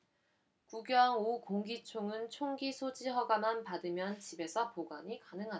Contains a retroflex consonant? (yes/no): no